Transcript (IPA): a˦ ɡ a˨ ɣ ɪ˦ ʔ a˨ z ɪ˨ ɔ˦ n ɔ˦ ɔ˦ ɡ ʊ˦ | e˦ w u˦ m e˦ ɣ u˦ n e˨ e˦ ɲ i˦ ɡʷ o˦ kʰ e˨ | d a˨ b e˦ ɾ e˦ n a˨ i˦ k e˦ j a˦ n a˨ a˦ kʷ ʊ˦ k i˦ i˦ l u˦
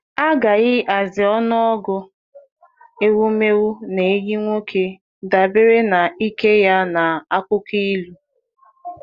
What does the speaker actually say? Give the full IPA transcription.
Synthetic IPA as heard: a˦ ɡ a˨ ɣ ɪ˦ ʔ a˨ z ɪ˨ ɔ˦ n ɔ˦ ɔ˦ ɡ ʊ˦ | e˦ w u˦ m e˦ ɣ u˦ n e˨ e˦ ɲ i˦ ŋʷ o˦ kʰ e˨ | d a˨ b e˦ ɾ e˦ n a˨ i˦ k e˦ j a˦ n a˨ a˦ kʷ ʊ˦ k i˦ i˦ l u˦

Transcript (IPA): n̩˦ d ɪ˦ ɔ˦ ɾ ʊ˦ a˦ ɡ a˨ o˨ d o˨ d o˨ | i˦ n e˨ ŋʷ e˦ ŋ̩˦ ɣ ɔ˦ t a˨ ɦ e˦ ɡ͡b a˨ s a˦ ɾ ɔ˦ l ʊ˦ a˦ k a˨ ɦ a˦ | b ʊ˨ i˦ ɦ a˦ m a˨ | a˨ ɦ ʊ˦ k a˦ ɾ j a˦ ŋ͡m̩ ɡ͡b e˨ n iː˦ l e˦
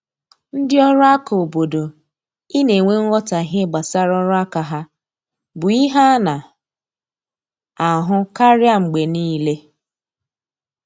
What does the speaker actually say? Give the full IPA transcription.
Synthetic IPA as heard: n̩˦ d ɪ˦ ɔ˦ ɾ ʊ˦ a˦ k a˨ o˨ b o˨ d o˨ | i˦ n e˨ ŋʷ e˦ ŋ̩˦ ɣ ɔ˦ t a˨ ɦ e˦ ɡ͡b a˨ s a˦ ɾ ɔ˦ ɾ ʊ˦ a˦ k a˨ ɦ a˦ | b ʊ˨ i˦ ɦ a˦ n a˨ | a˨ ɦ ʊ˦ k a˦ ɾ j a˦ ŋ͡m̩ ɡ͡b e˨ n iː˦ l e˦

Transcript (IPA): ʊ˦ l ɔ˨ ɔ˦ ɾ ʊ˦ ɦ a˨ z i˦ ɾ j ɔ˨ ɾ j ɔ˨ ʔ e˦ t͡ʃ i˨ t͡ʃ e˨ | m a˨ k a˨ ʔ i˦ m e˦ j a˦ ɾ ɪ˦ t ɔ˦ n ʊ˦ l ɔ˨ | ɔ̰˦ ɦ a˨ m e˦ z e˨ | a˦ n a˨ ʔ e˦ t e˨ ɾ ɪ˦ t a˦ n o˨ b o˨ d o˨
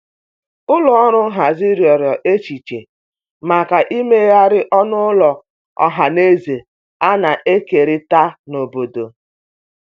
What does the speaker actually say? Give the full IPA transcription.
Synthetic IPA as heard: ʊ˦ l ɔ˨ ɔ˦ ɾ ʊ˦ ɦ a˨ z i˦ ɾ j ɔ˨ ɾ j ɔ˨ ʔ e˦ t͡ʃ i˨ t͡ʃ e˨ | m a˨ k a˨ ʔ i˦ m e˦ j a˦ ɾ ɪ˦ ʔ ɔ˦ n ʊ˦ l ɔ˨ | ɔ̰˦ ɦ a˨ n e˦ z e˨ | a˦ n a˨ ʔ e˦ k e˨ ɾ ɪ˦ t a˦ n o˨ b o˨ d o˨

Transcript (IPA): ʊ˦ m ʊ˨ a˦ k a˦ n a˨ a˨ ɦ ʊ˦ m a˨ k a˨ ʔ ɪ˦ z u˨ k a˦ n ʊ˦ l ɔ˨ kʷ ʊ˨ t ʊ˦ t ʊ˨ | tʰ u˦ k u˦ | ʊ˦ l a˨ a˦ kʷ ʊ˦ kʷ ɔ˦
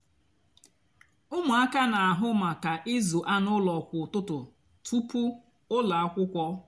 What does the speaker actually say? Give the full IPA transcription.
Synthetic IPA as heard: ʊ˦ m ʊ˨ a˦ k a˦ n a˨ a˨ ɦ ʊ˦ m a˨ k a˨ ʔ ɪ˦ z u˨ ʔ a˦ n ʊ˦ l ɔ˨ kʷ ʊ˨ t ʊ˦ t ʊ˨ | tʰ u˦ p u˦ | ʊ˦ l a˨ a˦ kʷ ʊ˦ kʷ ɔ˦

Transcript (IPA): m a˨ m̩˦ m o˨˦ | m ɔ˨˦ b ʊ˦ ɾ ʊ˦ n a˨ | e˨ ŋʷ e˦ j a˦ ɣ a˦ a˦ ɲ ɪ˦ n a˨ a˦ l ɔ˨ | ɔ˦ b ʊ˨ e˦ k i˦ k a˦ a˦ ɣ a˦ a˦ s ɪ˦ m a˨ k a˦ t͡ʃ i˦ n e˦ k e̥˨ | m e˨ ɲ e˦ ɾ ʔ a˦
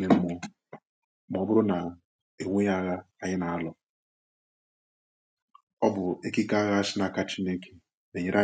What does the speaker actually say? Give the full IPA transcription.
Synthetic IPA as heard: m e˨ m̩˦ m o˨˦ | m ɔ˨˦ b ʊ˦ ɾ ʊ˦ n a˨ | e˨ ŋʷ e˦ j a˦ ɣ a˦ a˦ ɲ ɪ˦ n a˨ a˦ l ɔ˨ | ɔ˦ b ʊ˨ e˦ k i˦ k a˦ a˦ ɣ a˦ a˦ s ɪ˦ n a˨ k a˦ t͡ʃ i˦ n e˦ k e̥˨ | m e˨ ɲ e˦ ɾ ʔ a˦

